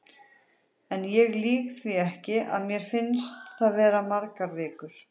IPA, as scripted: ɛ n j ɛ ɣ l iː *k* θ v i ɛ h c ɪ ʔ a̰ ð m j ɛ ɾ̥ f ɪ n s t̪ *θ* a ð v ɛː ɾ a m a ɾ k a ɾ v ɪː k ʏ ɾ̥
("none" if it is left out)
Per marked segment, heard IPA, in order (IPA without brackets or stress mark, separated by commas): k, θ